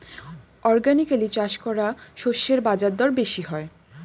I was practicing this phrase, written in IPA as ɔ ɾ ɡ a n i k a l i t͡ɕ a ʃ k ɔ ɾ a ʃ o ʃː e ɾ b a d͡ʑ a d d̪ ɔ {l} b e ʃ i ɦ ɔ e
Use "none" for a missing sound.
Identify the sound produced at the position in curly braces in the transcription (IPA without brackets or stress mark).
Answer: ɾ